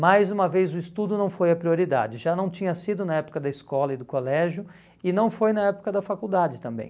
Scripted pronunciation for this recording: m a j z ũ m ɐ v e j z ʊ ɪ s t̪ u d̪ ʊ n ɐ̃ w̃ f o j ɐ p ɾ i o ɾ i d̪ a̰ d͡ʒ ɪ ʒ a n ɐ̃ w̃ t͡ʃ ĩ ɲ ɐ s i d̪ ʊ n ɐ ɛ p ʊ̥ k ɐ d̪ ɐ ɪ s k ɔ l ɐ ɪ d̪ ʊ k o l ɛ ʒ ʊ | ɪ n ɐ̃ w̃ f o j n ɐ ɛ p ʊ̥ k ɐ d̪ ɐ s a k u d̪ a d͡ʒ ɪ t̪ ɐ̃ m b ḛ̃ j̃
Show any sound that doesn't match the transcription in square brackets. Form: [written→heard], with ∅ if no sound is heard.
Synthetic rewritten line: m a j z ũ m ɐ v e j z ʊ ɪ s t̪ u d̪ ʊ n ɐ̃ w̃ f o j ɐ p ɾ i o ɾ i d̪ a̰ d͡ʒ ɪ ʒ a n ɐ̃ w̃ t͡ʃ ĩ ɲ ɐ s i d̪ ʊ n ɐ ɛ p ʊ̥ k ɐ d̪ ɐ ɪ s k ɔ l ɐ ɪ d̪ ʊ k o l ɛ ʒ ʊ | ɪ n ɐ̃ w̃ f o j n ɐ ɛ p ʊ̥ k ɐ d̪ ɐ [s→f] a k u d̪ a d͡ʒ ɪ t̪ ɐ̃ m b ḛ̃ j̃